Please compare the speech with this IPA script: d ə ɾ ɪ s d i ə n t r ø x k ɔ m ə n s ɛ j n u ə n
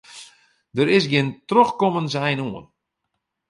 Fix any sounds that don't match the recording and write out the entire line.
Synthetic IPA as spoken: d ə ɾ ɪ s ɡ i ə n t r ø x k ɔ m ə n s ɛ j n u ə n